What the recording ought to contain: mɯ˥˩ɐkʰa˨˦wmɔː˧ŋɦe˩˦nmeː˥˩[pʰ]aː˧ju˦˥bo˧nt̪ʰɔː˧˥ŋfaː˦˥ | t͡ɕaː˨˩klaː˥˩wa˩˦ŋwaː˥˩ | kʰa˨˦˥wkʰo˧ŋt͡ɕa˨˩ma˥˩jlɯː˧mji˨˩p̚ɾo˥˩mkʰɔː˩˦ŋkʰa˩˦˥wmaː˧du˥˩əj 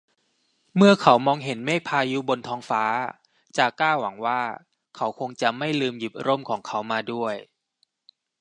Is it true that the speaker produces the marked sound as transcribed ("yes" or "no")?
yes